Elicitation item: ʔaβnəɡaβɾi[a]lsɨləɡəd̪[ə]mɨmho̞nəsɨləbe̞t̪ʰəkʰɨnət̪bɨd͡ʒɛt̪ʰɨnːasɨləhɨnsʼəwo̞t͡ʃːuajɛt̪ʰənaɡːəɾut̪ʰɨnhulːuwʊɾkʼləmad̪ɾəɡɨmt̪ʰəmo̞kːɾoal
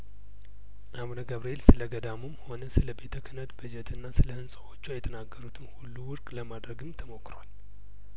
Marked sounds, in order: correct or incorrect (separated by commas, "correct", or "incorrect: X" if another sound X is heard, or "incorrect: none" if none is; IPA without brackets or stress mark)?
incorrect: e, incorrect: a